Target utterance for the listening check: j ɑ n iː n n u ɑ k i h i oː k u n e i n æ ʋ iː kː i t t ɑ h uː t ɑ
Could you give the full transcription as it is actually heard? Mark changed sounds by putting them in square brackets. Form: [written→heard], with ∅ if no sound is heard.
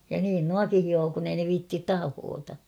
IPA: j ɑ n iː n n u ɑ k i h i oː k u n e i n [æ→e] ʋ iː [kː→tː] i t t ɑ h [uː→oː] t ɑ